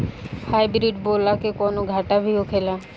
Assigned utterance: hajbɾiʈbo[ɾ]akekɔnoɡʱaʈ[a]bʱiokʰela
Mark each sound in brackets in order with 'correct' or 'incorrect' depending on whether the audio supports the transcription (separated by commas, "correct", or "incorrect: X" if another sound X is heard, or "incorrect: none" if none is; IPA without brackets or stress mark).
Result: incorrect: l, correct